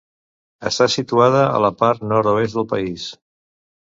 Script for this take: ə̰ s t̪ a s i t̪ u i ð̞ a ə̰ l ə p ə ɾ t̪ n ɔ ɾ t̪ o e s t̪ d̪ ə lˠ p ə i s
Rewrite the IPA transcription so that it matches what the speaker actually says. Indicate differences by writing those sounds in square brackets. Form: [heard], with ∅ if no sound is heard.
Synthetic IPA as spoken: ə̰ s t̪ a s i t̪ u [a] ð̞ [ə] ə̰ l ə p [a] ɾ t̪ n ɔ ɾ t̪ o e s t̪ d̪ ə lˠ p ə i s